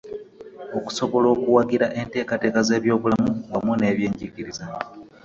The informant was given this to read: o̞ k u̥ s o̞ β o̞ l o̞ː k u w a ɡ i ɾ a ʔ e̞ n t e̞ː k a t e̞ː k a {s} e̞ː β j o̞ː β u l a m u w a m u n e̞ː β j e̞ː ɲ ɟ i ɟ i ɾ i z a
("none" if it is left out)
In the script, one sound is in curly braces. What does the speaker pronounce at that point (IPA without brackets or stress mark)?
z